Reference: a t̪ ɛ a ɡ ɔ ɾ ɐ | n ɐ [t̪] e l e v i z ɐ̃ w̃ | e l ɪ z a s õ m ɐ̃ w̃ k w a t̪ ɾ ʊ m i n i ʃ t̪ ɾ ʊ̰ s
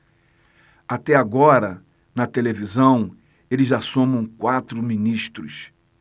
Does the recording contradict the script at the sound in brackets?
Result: no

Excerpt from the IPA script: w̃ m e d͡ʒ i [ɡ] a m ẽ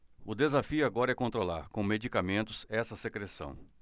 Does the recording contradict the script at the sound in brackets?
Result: yes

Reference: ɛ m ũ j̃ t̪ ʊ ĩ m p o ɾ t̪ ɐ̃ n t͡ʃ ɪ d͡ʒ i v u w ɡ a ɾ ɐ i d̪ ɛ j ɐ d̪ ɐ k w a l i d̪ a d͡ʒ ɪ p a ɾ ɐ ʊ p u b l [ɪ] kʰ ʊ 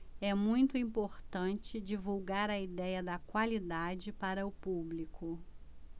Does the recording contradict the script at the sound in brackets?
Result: yes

